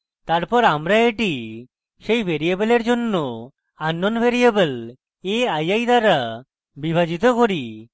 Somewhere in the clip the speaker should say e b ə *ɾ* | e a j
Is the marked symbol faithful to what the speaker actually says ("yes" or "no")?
no